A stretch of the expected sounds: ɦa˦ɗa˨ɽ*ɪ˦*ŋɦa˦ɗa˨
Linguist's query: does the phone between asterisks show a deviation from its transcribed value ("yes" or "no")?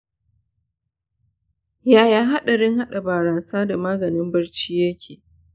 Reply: no